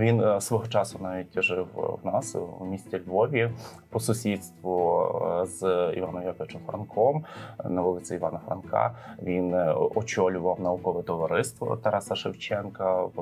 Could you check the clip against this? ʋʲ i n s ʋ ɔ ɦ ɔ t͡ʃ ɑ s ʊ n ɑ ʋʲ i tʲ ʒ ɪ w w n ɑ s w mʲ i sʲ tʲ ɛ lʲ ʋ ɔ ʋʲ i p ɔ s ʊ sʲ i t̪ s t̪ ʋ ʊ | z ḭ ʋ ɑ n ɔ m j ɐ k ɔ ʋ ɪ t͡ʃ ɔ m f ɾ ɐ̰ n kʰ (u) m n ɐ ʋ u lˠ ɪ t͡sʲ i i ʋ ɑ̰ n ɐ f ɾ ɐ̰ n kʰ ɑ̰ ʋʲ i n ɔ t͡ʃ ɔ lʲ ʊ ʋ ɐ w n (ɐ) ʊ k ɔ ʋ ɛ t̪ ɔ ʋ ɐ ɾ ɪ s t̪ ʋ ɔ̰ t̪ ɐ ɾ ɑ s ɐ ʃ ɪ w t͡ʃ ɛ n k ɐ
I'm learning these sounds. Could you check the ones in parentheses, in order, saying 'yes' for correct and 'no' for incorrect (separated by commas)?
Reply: no, yes